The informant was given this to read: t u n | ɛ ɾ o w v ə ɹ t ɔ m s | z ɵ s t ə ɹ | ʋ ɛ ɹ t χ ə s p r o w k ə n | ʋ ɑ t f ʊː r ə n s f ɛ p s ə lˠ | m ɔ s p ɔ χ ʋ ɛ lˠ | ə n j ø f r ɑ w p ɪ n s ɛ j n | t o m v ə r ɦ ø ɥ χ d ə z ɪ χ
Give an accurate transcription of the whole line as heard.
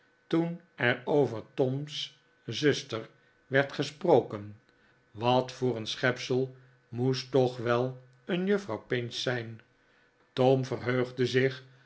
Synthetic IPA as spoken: t u n | ɛ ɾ o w v ə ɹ t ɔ m s | z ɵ s t ə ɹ | ʋ ɛ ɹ t χ ə s p r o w k ə n | ʋ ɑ t f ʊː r ə n s χ ɛ p s ə lˠ | m u s t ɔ χ ʋ ɛ lˠ | ə n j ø f r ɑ w p ɪ n s ɛ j n | t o m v ə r ɦ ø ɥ χ d ə z ɪ χ

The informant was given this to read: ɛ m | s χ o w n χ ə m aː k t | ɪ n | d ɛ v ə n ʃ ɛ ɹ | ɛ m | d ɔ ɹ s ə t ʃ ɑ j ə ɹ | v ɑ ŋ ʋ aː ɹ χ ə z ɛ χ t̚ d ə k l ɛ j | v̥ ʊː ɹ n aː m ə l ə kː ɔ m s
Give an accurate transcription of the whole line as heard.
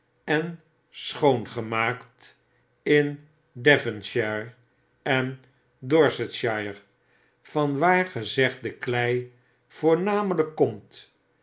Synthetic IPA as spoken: ɛ n | s χ o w n χ ə m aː k t | ɪ n | d ɛ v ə n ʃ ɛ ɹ | ɛ n | d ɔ ɹ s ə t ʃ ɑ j ə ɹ | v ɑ n ʋ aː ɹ χ ə z ɛ χ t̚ d ə k l ɛ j | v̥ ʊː ɹ n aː m ə l ə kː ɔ m t

